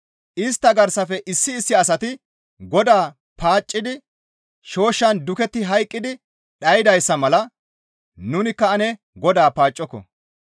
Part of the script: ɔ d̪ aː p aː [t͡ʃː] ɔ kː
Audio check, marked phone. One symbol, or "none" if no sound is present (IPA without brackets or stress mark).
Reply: t͡ʃʼː